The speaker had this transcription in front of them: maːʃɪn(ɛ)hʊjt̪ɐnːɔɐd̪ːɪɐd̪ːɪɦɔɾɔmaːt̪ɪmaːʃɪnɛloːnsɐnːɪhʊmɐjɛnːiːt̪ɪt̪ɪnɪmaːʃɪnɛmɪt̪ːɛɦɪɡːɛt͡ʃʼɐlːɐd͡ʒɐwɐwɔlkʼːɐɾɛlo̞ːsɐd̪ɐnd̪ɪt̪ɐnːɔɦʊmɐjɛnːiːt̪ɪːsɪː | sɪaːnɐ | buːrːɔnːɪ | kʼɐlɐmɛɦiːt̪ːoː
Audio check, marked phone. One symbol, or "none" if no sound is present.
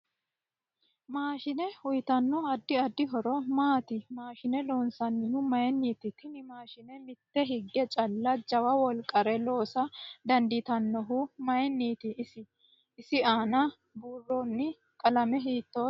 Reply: ɛ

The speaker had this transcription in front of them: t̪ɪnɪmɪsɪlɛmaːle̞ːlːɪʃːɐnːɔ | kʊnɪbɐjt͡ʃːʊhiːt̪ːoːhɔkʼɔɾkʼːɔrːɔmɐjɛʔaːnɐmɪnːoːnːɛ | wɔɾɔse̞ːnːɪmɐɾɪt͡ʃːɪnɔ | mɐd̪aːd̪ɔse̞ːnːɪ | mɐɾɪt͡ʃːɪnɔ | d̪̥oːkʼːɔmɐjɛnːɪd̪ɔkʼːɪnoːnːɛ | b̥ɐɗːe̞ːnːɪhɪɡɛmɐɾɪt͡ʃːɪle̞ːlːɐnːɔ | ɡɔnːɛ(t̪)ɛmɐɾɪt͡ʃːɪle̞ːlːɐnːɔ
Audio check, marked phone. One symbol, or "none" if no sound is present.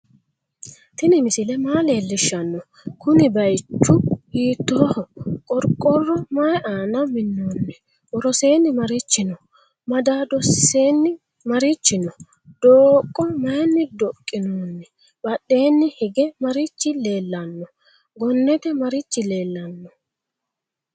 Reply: t̪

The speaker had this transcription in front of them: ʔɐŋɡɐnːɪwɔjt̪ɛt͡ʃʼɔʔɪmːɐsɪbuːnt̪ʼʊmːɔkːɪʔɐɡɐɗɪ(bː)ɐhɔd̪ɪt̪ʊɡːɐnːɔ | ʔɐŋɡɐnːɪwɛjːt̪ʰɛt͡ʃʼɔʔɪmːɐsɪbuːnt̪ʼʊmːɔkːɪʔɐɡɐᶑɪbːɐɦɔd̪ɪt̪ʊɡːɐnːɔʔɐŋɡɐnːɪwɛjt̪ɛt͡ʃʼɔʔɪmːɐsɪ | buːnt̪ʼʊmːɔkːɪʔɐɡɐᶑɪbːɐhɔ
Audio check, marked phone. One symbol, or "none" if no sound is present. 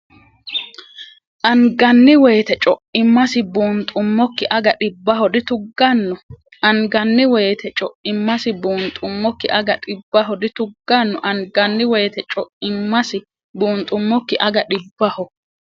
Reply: bː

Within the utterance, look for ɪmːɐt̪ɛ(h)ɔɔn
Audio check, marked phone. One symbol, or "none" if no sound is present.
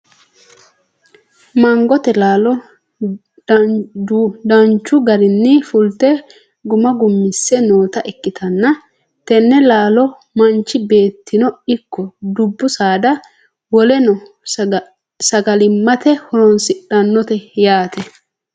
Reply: h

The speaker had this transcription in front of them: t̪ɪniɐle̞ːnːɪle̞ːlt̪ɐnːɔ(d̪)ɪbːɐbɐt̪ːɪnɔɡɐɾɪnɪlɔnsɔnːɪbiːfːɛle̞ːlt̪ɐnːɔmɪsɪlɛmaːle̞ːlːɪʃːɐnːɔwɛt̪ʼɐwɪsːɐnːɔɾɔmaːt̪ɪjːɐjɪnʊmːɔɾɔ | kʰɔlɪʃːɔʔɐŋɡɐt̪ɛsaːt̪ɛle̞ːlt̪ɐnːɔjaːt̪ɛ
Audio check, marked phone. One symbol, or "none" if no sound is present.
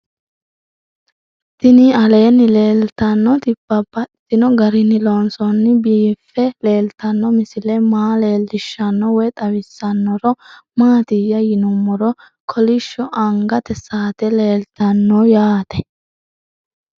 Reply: t̪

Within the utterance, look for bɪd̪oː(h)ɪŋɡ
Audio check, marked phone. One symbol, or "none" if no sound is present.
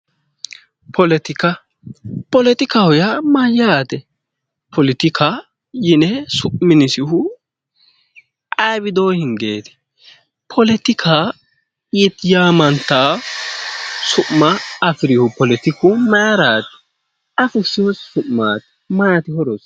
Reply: h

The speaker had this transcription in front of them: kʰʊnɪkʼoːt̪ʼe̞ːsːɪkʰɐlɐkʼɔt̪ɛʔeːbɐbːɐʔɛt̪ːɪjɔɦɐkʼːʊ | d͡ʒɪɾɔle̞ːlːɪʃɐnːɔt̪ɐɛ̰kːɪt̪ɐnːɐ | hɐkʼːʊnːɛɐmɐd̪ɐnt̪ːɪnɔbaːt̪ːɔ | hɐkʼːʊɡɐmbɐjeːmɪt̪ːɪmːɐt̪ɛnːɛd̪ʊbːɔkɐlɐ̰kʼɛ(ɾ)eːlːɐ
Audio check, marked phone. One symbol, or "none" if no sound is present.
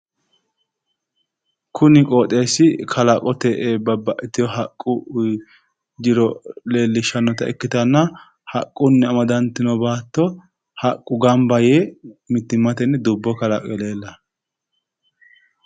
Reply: l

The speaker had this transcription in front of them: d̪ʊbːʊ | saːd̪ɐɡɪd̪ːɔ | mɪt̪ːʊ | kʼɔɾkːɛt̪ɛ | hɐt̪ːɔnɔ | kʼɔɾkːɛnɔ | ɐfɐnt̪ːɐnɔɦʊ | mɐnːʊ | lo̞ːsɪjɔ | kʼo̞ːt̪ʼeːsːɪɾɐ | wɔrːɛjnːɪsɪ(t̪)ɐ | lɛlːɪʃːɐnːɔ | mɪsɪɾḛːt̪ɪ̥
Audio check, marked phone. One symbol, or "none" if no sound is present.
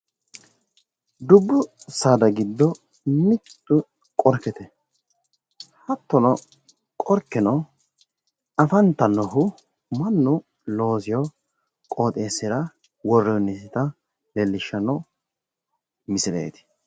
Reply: t̪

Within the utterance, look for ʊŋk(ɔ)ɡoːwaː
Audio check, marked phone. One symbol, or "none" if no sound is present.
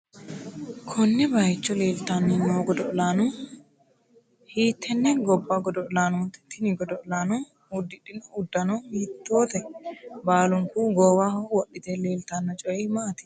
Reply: u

